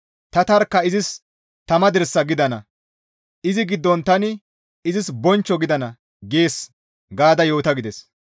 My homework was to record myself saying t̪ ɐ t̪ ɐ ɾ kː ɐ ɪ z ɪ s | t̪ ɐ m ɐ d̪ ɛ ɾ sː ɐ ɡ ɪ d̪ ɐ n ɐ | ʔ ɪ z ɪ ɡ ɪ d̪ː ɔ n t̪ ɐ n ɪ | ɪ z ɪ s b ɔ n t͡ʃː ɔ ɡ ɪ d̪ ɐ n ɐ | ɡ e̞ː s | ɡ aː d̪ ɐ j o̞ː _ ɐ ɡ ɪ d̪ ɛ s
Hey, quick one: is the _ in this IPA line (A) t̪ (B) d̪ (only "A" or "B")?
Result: A